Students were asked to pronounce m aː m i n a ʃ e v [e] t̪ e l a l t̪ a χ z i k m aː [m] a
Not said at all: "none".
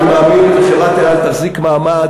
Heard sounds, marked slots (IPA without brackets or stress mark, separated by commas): a, m